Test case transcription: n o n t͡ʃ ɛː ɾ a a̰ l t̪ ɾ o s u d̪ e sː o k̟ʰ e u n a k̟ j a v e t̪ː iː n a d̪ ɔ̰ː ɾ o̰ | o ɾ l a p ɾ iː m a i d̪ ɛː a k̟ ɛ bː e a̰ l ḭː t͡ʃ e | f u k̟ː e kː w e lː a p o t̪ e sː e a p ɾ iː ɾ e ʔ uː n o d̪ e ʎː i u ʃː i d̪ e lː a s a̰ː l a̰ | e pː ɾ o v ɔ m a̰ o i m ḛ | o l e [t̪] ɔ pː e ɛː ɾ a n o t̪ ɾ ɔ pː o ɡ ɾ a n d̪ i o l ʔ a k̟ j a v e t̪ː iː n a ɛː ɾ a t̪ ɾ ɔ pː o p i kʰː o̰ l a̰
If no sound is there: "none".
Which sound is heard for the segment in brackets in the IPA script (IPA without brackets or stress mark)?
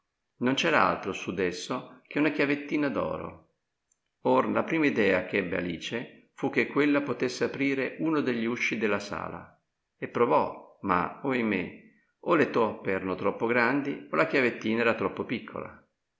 t̪